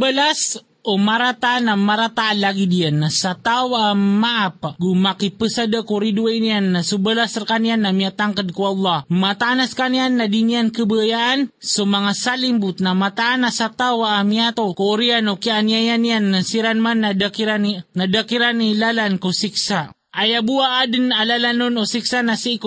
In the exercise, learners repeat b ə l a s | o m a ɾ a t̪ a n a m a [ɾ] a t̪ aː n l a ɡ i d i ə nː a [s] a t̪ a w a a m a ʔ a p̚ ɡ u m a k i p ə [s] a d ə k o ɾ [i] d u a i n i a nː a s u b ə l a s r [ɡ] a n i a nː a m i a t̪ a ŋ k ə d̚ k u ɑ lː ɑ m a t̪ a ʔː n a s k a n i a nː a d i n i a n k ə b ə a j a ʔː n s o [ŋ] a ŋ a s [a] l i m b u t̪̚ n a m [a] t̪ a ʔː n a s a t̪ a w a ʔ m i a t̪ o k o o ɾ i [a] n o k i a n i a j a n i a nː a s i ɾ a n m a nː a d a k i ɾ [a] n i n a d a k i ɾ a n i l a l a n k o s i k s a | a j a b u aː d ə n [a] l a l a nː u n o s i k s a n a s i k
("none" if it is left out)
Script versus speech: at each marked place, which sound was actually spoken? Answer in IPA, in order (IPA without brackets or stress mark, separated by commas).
ɾ, s, s, i, k, m, a, a, a, a, a